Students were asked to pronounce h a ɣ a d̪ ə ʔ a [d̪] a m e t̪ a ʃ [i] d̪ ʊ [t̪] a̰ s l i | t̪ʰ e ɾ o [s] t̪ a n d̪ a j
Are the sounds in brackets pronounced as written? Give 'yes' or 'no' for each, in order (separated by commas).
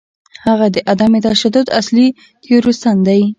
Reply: yes, no, no, yes